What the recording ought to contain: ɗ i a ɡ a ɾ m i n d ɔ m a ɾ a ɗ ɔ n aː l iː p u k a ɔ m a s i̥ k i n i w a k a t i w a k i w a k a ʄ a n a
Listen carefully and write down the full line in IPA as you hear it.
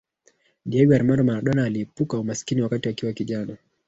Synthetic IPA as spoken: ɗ i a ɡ a ɾ m a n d ɔ m a ɾ a ɗ ɔ n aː l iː p u k a u m a s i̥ k i n i w a k a t i w a k i w a k i ʄ a n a